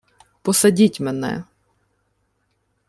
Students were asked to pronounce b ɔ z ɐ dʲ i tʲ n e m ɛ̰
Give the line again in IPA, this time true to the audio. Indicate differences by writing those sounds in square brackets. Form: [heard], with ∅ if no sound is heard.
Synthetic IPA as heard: [p] ɔ [s] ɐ dʲ i tʲ [m] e [n] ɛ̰

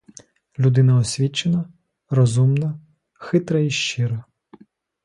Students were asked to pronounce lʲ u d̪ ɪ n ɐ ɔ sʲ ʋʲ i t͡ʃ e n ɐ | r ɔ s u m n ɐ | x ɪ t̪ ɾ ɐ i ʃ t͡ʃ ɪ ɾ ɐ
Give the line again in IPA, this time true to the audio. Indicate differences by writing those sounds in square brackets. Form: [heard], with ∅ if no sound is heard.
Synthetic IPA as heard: lʲ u d̪ ɪ n ɐ ɔ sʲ ʋʲ i t͡ʃ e n ɐ | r ɔ [z] u m n ɐ | x ɪ t̪ ɾ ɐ i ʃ t͡ʃ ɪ ɾ ɐ

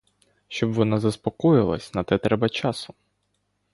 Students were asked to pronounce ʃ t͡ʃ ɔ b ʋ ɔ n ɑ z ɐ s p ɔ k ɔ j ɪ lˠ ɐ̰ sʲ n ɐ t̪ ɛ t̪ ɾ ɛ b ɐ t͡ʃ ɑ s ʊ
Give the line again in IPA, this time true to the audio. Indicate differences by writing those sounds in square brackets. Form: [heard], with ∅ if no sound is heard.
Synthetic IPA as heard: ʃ t͡ʃ ɔ b ʋ ɔ n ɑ z ɐ s p ɔ k ɔ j ɪ lˠ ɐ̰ sʲ n ɐ t̪ ɛ t̪ ɾ ɛ b ɐ t͡ʃ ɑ s ʊ

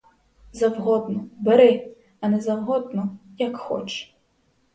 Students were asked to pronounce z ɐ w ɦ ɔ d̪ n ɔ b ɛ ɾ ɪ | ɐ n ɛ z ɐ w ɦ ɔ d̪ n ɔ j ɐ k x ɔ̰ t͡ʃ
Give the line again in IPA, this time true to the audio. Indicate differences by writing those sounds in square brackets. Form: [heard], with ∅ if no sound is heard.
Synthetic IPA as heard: z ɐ w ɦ ɔ d̪ n ɔ b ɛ ɾ ɪ | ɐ n ɛ z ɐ w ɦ ɔ d̪ n ɔ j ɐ k x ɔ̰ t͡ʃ

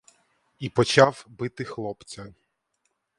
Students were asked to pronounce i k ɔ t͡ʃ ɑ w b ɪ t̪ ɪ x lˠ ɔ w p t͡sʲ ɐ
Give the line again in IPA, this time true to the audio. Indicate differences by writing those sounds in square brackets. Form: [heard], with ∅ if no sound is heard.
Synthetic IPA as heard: i [p] ɔ t͡ʃ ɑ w b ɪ t̪ ɪ x lˠ ɔ [∅] p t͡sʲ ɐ

